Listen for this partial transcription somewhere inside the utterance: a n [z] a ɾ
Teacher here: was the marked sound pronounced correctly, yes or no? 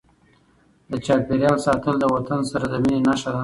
no